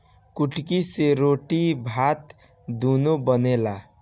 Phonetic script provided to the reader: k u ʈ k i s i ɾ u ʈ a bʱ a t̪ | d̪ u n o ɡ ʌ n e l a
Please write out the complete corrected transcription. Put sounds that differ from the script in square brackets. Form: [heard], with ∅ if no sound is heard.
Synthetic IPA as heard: k u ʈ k i s [e] ɾ [o] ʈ [i] bʱ a t̪ | d̪ u n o [b] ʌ n e l a